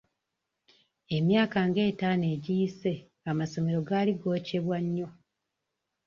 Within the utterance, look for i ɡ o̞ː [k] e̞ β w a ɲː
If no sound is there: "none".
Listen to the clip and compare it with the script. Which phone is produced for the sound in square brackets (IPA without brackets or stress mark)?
c